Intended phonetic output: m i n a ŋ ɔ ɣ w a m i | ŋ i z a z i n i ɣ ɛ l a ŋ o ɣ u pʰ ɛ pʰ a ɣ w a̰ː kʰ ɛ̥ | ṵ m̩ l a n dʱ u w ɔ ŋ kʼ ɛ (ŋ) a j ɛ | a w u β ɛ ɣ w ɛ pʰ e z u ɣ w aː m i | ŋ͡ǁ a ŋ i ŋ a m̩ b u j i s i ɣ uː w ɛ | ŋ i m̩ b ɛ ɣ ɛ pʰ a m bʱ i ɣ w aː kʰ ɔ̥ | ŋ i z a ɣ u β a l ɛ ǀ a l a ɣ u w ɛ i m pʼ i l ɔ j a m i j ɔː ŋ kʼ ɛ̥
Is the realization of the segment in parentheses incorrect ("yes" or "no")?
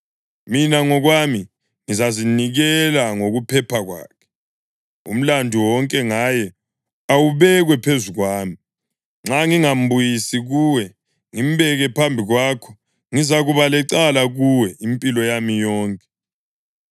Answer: no